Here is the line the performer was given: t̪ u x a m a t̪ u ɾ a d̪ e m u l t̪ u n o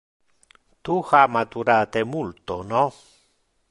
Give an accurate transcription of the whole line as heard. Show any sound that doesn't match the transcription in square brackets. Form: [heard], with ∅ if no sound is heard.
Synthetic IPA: t̪ u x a m a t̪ u ɾ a [t̪] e m u l t̪ [o] n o